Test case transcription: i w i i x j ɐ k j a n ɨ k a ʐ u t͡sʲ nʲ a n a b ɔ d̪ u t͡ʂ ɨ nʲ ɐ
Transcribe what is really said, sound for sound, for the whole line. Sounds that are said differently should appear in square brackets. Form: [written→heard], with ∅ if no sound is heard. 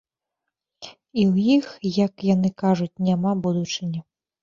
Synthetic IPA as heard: i w [i→j] i x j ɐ k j a n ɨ k a ʐ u t͡sʲ nʲ a [n→m] a b [ɔ→u] d̪ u t͡ʂ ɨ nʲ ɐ

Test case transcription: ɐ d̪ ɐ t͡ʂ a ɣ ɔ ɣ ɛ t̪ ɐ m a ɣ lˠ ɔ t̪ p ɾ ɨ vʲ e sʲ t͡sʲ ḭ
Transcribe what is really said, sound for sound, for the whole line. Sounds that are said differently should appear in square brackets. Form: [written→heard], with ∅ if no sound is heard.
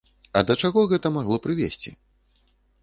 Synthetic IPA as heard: ɐ d̪ ɐ t͡ʂ a ɣ ɔ ɣ ɛ t̪ ɐ m a ɣ lˠ ɔ [t̪→∅] p ɾ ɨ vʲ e sʲ t͡sʲ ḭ

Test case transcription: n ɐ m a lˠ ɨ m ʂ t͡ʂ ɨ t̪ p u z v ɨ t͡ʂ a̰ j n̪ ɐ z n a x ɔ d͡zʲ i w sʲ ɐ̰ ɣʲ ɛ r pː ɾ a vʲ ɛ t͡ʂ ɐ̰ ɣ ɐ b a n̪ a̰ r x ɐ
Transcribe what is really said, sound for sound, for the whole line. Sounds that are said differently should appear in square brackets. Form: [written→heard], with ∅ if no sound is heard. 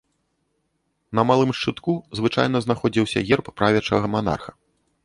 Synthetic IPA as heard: n ɐ m a lˠ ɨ m ʂ t͡ʂ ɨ t̪ [p→k] u z v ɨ t͡ʂ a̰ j n̪ ɐ z n a x ɔ d͡zʲ i w sʲ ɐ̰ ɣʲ ɛ r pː ɾ a vʲ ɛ t͡ʂ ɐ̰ ɣ ɐ [b→m] a n̪ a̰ r x ɐ

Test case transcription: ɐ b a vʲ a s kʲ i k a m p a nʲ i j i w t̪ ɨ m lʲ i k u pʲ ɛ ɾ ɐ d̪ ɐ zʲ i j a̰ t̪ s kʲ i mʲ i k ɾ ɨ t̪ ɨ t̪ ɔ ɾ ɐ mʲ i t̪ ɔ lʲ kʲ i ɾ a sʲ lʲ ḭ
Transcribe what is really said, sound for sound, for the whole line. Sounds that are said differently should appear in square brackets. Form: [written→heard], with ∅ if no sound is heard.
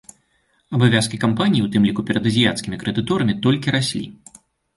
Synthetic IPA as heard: ɐ b a vʲ a s kʲ i k a m p a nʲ i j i w t̪ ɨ m lʲ i k u pʲ ɛ ɾ ɐ d̪ ɐ zʲ i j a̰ t̪ s kʲ i mʲ i k ɾ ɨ [t̪→d̪] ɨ t̪ ɔ ɾ ɐ mʲ i t̪ ɔ lʲ kʲ i ɾ a sʲ lʲ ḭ

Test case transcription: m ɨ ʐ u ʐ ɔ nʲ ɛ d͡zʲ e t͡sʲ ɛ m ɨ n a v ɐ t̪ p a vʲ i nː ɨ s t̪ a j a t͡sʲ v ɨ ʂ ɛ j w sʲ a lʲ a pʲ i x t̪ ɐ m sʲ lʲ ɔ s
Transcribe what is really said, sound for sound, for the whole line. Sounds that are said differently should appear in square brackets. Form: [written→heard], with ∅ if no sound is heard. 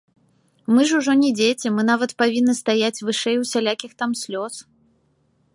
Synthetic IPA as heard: m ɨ ʐ u ʐ ɔ nʲ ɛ d͡zʲ e t͡sʲ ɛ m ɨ n a v ɐ t̪ p a vʲ i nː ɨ s t̪ a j a t͡sʲ v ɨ ʂ ɛ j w sʲ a lʲ a [pʲ→kʲ] i x t̪ [ɐ→a] m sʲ lʲ ɔ s

